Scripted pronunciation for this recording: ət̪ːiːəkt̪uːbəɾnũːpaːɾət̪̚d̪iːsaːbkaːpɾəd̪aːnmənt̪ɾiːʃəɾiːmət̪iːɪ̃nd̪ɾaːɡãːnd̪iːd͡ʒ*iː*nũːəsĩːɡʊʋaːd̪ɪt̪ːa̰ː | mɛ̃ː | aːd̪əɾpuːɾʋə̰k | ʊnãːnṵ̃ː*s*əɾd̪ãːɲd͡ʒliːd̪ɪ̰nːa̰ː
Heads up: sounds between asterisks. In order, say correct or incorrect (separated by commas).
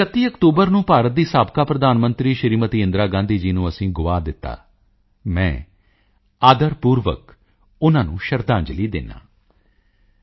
correct, incorrect